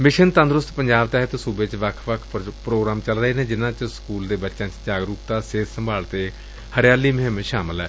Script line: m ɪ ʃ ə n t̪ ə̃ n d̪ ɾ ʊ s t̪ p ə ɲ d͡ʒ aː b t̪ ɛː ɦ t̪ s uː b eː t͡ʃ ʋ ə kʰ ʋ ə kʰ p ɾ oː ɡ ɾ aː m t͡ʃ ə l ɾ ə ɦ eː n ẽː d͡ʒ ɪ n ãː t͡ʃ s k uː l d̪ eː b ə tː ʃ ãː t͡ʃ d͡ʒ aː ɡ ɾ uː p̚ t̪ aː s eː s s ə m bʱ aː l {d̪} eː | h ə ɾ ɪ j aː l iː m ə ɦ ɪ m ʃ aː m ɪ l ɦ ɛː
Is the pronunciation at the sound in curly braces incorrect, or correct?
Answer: incorrect: t̪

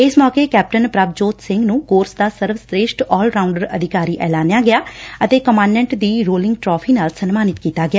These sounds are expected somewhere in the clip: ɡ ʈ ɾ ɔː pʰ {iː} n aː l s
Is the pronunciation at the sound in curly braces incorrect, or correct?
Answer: correct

